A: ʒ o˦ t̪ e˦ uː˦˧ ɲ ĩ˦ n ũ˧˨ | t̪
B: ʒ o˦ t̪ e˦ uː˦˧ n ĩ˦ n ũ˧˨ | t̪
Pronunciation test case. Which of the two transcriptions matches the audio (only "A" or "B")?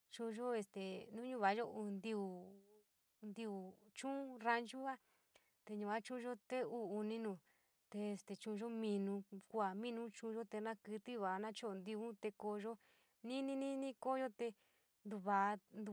B